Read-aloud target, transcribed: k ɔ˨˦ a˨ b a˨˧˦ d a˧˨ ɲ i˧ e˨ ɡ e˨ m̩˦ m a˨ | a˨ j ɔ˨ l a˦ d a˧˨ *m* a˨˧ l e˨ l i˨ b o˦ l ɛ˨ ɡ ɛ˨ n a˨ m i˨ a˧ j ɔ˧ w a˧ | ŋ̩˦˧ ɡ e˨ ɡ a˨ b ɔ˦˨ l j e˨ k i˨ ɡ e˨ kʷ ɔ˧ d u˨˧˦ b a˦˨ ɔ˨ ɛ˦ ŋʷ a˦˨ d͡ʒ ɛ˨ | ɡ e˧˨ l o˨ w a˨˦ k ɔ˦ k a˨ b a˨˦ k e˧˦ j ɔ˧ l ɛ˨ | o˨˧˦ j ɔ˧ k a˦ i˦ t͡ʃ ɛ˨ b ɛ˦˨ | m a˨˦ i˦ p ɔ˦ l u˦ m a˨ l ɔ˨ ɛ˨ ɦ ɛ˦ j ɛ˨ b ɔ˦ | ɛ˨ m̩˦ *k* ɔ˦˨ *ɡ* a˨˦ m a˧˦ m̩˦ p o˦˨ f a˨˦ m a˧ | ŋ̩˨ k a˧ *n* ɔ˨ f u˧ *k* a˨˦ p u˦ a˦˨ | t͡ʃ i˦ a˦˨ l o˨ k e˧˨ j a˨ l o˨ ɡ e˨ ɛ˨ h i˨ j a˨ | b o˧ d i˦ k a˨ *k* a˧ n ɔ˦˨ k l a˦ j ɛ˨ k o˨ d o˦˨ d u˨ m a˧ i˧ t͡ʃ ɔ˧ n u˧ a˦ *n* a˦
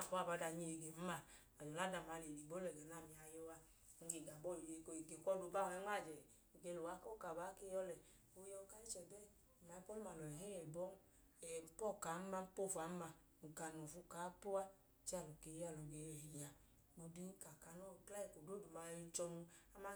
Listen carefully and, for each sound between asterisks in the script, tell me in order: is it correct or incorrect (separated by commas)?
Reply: correct, incorrect, incorrect, correct, correct, correct, incorrect